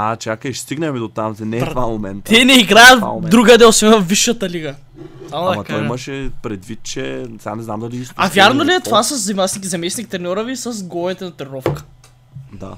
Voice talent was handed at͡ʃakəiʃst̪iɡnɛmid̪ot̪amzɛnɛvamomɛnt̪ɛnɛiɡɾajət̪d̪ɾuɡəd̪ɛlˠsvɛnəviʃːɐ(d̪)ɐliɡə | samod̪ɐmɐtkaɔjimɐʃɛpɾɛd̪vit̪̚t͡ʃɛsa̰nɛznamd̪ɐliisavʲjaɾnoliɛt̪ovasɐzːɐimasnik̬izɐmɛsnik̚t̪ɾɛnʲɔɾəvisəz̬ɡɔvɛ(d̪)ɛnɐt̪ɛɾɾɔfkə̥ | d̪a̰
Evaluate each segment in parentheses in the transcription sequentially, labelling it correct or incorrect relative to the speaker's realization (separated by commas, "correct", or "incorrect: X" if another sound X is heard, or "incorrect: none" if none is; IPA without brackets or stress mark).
incorrect: t̪, incorrect: t̪